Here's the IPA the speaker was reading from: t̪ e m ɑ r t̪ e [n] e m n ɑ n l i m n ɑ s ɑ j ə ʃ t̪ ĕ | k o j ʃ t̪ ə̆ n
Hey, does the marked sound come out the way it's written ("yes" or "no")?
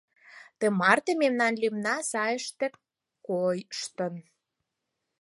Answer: no